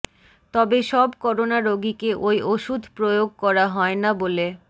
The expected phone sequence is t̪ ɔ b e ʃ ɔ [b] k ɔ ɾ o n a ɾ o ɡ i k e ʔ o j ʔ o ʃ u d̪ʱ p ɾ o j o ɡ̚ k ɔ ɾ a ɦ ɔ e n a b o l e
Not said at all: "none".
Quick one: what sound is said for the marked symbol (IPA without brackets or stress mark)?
b